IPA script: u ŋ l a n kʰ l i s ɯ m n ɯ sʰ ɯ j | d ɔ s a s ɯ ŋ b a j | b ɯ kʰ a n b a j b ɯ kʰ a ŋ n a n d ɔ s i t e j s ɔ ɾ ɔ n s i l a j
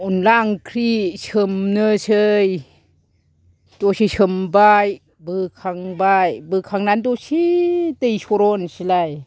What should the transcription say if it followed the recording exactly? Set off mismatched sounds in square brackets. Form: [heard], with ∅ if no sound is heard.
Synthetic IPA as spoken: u [n] l a [ŋ] kʰ [ɾ] i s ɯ m n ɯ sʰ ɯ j | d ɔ s [i] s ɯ [m] b a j | b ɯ kʰ a [ŋ] b a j b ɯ kʰ a ŋ n a n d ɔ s i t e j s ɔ ɾ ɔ n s i l a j

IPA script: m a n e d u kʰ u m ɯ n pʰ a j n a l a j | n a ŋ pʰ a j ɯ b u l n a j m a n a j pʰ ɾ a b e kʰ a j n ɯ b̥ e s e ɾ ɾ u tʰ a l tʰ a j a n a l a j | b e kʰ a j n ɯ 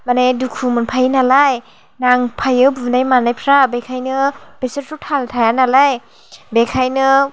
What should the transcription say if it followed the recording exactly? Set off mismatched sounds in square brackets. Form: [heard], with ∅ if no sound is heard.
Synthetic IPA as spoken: m a n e d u kʰ u m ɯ n pʰ a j n a l a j | n a ŋ pʰ a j ɯ b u [∅] n a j m a n a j pʰ ɾ a b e kʰ a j n ɯ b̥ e s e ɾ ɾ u tʰ a l tʰ a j a n a l a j | b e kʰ a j n ɯ

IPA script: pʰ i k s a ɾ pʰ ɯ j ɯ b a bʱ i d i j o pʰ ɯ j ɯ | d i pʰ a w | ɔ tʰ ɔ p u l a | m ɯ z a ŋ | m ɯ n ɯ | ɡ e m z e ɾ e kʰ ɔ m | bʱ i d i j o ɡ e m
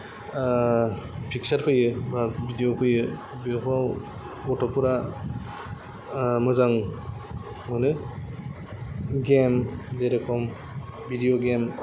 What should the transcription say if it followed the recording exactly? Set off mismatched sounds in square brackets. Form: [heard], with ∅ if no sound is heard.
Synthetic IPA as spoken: pʰ i k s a ɾ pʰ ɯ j ɯ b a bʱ i d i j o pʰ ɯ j ɯ | [b] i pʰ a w | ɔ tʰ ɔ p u [ɾ] a | m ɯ z a ŋ | m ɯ n ɯ | ɡ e m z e ɾ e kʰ ɔ m | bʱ i d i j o ɡ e m

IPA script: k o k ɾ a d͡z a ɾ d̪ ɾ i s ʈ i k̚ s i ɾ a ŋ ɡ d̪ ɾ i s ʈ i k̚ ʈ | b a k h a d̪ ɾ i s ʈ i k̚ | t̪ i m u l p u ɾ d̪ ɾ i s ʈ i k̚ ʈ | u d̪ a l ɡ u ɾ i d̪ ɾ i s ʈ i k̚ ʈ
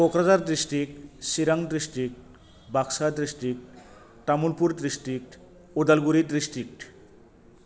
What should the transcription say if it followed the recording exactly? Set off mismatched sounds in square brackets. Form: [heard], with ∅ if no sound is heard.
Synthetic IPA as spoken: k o k ɾ a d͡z a ɾ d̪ ɾ i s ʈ i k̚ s i ɾ a ŋ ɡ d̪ ɾ i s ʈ i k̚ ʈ | b a k [s] a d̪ ɾ i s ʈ i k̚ | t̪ [a] m u l p u ɾ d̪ ɾ i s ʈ i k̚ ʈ | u d̪ a l ɡ u ɾ i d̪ ɾ i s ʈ i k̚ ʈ

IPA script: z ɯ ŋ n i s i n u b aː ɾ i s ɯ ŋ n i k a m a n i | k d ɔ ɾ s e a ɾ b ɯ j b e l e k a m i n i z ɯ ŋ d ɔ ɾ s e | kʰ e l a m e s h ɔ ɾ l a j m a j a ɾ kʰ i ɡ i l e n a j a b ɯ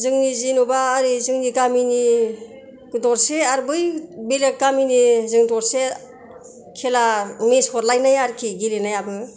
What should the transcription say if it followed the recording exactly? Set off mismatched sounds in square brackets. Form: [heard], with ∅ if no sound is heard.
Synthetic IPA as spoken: z ɯ ŋ n i [z] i n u b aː ɾ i [z] ɯ ŋ n i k a m [i] n i | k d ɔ ɾ s e a ɾ b ɯ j b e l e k a m i n i z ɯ ŋ d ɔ ɾ s e | kʰ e l a m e s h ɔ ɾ l a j [n] a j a ɾ kʰ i ɡ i l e n a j a b ɯ

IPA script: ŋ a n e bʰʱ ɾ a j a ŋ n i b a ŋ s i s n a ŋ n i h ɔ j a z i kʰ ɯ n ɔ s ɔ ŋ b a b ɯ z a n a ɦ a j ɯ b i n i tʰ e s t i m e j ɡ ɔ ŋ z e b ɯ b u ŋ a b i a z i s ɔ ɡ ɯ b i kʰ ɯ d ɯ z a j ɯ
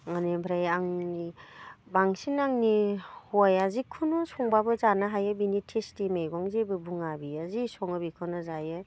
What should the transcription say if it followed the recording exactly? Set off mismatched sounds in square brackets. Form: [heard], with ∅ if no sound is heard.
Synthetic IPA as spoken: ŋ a n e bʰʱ ɾ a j a ŋ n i b a ŋ s i [∅] n a ŋ n i h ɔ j a z i kʰ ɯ n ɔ s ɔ ŋ b a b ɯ z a n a ɦ a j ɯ b i n i tʰ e s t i m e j ɡ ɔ ŋ z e b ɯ b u ŋ a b i a z i s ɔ [ŋ] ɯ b i kʰ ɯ [n] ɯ z a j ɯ

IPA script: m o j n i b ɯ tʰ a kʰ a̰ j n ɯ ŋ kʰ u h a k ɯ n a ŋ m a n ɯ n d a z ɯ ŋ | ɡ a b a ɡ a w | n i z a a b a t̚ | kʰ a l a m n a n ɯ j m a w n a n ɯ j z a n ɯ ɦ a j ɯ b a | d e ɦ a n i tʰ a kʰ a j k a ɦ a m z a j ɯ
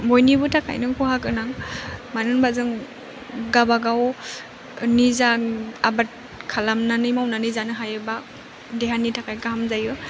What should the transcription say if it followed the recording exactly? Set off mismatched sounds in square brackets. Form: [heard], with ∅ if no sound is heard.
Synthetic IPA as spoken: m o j n i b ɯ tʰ a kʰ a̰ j n ɯ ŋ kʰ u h a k ɯ n a ŋ m a n ɯ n [b] a z ɯ ŋ | ɡ a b a ɡ a w | n i z a a b a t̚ | kʰ a l a m n a n ɯ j m a w n a n ɯ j z a n ɯ ɦ a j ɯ b a | d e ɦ a n i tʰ a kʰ a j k a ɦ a m z a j ɯ

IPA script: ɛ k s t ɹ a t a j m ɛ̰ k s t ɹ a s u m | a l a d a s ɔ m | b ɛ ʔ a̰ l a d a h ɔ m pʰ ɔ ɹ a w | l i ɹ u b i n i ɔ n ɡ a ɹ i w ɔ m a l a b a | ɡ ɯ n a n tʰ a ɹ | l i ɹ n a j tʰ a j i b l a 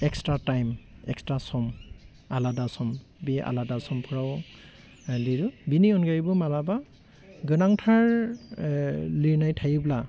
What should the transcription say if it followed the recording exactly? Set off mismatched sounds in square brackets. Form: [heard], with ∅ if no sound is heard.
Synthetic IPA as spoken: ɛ k s t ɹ a t a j m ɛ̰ k s t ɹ a s [ɔ] m | a l a d a s ɔ m | b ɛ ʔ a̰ l a d a [s] ɔ m pʰ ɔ ɹ a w | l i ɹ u b i n i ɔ n ɡ a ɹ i [b] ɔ m a l a b a | ɡ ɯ n a [ŋ] tʰ a ɹ | l i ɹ n a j tʰ a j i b l a

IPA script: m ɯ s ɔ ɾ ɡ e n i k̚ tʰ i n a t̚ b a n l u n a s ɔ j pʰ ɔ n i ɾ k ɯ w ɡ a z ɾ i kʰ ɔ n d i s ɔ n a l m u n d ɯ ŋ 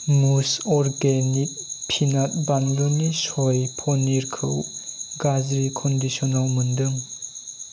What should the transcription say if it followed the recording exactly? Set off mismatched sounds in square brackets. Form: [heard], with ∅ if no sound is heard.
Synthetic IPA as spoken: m [u] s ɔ ɾ ɡ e n i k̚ [pʰ] i n a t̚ b a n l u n [i] s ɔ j pʰ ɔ n i ɾ [kʰ] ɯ w ɡ a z ɾ i kʰ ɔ n d i s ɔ n a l m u n d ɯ ŋ

